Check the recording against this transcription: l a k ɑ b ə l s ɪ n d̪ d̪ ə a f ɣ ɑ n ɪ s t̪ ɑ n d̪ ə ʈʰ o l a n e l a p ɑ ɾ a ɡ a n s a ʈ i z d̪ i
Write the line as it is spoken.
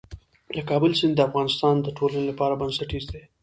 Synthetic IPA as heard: l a k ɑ b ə l s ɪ n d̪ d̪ ə a f ɣ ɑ n ɪ s t̪ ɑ n d̪ ə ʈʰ o l a n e l a p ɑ ɾ a b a n s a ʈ i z d̪ e